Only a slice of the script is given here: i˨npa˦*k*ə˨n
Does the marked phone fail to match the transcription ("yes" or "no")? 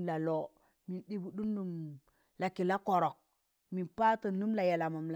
yes